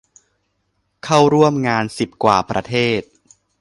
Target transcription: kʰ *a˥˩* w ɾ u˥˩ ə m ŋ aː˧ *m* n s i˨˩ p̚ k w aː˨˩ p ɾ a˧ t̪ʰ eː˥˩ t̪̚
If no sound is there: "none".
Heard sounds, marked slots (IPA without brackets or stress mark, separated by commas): a˥˩, none